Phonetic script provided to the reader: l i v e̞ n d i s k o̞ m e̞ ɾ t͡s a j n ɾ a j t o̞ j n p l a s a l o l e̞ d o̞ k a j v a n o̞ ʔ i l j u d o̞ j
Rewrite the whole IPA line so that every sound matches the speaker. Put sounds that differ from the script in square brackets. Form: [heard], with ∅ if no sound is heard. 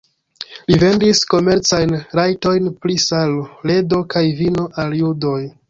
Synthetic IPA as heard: l i v e̞ n d i s k o̞ m e̞ ɾ t͡s a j n ɾ a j t o̞ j n p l [i] s a l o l e̞ d o̞ k a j v [i] n o̞ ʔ [a] l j u d o̞ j